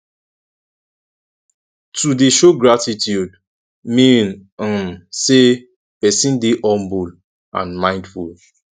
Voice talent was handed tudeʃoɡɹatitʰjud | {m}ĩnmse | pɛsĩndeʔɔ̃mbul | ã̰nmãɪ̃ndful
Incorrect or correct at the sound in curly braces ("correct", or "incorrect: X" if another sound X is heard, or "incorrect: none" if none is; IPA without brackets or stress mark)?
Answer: correct